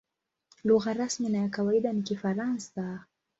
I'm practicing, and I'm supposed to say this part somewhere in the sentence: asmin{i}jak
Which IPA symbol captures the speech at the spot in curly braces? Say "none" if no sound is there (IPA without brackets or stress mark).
a